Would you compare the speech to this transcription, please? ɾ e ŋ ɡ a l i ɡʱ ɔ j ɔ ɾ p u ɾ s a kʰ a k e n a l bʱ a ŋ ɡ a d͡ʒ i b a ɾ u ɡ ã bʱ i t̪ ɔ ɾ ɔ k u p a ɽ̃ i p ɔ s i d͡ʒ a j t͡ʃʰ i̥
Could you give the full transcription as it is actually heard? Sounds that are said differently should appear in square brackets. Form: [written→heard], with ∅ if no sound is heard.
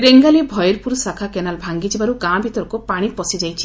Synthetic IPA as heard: ɾ e ŋ ɡ a l i [ɡʱ→bʱ] ɔ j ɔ ɾ p u ɾ s a kʰ a k e n a l bʱ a ŋ ɡ [a→i] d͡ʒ i b a ɾ u ɡ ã bʱ i t̪ ɔ ɾ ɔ k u p a ɽ̃ i p ɔ s i d͡ʒ a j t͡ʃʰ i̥